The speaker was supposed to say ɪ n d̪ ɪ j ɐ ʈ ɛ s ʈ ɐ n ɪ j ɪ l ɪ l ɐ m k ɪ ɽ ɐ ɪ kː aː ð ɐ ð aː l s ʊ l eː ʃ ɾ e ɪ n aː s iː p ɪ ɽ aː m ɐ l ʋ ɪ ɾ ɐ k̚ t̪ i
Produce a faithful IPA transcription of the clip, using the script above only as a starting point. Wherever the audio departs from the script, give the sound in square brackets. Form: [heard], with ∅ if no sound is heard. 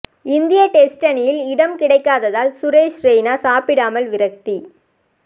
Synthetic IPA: ɪ n d̪ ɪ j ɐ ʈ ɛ s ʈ ɐ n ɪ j ɪ l ɪ [ɽ] ɐ m k ɪ ɽ ɐ ɪ kː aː ð ɐ ð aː l s ʊ [ɾ] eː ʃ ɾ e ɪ n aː s [aː] p ɪ ɽ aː m ɐ l ʋ ɪ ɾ ɐ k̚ t̪ i